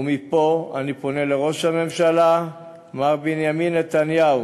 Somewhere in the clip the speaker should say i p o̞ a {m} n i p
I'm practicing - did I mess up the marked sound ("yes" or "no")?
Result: yes